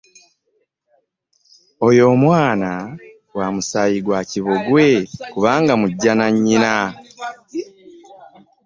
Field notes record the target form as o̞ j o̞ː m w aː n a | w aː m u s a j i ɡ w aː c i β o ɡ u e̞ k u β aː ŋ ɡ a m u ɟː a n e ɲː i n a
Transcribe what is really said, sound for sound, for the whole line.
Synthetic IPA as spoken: o̞ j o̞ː m w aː n a | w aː m u s a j i ɡ w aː c i β o ɡ w e̞ k u β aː ŋ ɡ a m u ɟː a n a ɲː i n a